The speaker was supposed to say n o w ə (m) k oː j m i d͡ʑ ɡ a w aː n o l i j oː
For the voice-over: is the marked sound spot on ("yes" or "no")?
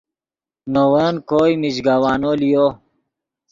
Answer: no